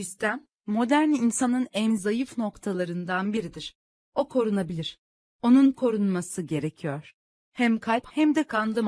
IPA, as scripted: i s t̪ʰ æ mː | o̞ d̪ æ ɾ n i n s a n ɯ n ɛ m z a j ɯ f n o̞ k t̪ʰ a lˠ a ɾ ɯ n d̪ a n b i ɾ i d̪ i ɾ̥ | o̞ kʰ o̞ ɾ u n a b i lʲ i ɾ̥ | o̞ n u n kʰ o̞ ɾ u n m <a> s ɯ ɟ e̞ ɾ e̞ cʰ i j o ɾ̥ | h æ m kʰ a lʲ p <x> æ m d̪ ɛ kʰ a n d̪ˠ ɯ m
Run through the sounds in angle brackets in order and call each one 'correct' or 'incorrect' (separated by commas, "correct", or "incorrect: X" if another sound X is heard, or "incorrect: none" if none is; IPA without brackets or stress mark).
correct, incorrect: h